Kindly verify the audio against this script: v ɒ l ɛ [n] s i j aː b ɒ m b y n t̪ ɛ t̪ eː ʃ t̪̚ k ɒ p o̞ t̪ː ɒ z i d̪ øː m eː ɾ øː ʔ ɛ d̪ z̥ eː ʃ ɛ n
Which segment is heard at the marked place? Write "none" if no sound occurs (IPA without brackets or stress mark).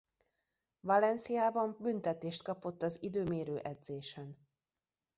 n